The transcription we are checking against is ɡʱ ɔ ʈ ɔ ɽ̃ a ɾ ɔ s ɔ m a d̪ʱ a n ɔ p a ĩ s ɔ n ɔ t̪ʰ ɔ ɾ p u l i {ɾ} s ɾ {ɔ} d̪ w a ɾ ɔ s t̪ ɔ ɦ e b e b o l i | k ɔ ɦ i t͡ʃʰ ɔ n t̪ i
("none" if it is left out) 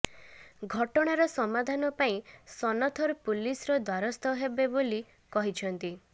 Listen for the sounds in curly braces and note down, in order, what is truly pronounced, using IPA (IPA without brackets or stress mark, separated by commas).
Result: none, ɔ